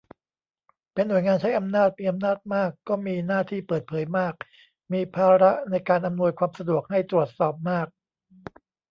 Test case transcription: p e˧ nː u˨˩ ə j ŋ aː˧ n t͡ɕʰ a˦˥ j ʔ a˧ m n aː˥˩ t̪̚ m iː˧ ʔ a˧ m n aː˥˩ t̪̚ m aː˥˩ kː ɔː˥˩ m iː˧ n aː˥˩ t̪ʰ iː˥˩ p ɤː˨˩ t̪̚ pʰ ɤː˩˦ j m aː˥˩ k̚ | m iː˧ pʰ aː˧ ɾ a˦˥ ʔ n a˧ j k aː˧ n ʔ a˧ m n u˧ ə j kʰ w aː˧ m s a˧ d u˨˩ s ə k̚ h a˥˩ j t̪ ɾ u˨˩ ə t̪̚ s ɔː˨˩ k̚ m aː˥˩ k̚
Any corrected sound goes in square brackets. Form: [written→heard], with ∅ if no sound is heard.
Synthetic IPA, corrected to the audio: p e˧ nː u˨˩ ə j ŋ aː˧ n t͡ɕʰ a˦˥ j ʔ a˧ m n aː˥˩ t̪̚ m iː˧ ʔ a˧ m n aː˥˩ t̪̚ m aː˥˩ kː ɔː˥˩ m iː˧ n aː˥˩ t̪ʰ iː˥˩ p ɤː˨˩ t̪̚ pʰ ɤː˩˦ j m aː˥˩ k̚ | m iː˧ pʰ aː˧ ɾ a˦˥ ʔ n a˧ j k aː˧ n ʔ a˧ m n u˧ ə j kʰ w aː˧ m s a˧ d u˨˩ [s→∅] ə k̚ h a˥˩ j t̪ ɾ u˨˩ ə t̪̚ s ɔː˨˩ [k̚→p̚] m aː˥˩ k̚